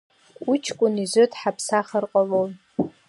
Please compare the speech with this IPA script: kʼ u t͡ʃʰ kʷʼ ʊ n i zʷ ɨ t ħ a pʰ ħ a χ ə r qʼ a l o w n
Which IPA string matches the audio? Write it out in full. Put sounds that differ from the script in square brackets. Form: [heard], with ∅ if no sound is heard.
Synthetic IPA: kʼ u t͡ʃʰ kʷʼ ʊ n i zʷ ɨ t ħ a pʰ [s] a χ ə r qʼ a l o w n